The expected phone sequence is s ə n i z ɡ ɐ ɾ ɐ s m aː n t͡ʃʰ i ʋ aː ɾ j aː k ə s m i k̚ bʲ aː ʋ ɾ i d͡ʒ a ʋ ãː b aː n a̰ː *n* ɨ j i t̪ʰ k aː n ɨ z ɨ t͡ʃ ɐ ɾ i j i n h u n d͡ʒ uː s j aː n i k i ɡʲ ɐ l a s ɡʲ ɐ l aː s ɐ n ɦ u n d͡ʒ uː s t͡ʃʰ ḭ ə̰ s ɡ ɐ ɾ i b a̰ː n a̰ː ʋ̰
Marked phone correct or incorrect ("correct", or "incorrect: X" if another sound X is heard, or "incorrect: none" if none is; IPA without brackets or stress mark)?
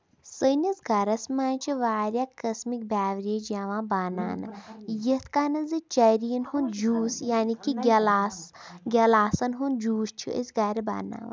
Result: correct